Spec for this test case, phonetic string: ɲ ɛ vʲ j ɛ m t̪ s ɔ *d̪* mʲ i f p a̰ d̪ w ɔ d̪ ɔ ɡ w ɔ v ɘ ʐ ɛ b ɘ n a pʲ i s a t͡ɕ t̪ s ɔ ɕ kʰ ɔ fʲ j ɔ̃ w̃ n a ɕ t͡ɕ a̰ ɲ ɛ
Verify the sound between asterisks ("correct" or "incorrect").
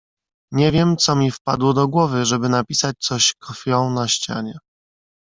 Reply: incorrect